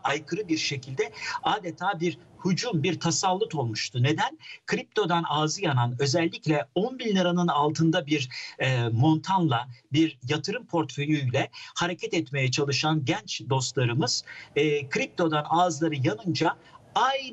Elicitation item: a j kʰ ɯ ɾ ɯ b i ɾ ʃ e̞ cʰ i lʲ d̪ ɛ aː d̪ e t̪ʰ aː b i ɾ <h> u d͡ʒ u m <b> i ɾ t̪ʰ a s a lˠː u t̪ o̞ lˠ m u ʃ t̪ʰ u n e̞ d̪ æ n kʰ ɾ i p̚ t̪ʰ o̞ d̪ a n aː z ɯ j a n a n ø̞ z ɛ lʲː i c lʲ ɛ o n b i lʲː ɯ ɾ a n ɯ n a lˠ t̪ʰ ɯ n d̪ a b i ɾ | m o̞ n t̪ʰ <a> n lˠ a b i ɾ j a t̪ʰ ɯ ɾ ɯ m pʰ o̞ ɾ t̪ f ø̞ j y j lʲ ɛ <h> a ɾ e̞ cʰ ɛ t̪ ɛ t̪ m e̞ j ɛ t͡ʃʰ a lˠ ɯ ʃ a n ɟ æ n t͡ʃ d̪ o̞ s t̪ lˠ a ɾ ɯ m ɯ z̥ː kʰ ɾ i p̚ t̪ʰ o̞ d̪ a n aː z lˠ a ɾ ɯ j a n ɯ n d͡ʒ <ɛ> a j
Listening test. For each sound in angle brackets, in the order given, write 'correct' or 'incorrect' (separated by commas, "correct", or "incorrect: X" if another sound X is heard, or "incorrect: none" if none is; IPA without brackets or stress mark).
correct, correct, correct, correct, incorrect: a